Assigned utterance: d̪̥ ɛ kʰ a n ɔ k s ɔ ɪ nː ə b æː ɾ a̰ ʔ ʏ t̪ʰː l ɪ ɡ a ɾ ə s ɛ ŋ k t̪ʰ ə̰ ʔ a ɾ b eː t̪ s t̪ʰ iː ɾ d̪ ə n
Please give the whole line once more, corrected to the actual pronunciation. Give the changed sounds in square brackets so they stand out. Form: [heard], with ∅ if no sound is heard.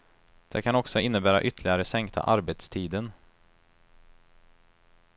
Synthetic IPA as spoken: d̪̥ ɛ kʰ a n ɔ k s ɔ ɪ nː ə b æː ɾ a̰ ʔ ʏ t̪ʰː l ɪ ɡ a ɾ ə s ɛ ŋ k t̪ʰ [a̰] ʔ a ɾ b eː t̪ s t̪ʰ iː [∅] d̪ ə n